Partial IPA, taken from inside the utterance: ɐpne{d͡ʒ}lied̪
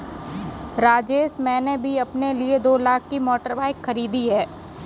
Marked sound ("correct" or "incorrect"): incorrect